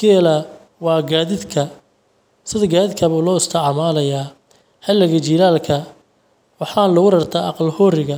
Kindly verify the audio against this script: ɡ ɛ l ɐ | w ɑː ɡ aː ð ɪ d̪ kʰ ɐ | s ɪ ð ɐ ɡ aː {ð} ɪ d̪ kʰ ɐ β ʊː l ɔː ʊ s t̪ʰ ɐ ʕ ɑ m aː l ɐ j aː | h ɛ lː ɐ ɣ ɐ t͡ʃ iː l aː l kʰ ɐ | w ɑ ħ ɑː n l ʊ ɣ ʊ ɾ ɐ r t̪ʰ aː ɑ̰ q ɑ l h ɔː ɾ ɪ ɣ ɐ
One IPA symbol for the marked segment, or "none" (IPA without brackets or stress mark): ð